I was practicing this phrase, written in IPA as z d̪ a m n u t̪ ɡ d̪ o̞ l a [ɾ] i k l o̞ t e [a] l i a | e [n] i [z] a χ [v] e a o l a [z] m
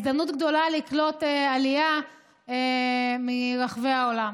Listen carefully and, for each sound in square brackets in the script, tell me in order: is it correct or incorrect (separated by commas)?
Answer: incorrect, correct, incorrect, incorrect, correct, incorrect